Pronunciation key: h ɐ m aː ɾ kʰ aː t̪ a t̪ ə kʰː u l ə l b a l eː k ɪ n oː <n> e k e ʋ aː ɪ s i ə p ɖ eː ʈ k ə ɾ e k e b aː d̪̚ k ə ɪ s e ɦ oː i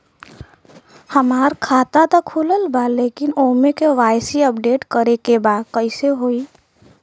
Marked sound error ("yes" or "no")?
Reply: yes